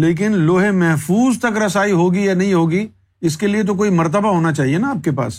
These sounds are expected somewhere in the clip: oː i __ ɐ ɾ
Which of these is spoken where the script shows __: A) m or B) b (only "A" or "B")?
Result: A